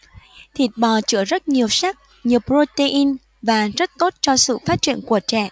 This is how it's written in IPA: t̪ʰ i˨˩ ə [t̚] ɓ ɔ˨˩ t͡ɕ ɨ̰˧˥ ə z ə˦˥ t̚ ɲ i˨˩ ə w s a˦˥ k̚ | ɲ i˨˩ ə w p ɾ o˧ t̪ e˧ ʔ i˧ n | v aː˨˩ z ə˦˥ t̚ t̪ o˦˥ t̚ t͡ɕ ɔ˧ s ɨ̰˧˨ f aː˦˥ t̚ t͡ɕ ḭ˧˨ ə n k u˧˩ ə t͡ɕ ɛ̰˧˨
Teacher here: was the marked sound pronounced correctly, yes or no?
yes